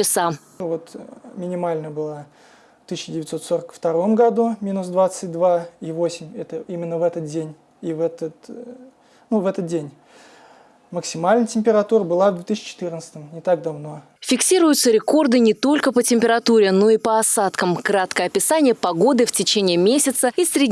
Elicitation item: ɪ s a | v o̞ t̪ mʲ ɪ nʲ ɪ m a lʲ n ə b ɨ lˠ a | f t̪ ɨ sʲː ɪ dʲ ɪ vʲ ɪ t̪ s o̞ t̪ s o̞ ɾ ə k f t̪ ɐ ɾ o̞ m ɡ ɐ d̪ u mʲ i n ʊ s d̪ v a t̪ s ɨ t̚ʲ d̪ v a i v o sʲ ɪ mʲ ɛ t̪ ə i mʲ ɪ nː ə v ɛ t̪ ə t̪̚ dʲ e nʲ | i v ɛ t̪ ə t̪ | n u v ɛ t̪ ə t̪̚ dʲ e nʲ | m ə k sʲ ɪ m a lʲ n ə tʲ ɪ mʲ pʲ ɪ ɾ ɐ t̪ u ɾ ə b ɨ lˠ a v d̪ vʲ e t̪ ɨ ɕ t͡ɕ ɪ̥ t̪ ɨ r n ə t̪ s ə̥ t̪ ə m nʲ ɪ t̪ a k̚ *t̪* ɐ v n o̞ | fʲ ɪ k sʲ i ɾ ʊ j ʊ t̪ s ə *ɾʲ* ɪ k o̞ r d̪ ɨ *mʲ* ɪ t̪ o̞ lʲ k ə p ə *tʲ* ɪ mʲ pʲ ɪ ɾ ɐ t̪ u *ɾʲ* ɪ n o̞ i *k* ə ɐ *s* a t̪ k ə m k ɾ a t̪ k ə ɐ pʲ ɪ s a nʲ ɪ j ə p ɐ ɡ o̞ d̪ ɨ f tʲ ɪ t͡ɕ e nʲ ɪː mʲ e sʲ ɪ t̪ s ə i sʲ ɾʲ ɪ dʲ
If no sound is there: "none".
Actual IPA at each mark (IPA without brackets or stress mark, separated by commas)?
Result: d̪, ɾʲ, nʲ, tʲ, ɾʲ, p, s